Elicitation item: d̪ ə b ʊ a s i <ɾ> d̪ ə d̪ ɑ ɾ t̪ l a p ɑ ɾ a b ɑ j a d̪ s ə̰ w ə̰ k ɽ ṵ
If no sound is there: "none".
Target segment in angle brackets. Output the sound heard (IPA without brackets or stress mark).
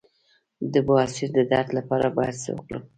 ɾ